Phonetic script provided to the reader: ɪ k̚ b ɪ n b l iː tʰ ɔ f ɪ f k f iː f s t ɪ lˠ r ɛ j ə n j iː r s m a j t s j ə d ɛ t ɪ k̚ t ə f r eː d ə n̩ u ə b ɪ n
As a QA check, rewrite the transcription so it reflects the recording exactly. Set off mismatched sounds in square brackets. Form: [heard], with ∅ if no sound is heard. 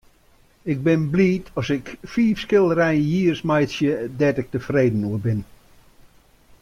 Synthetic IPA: ɪ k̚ b ɪ n b l iː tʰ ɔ [s] ɪ [∅] k f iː f s [k] ɪ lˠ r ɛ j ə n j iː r s m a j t s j ə d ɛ t ɪ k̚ t ə f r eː d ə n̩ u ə b ɪ n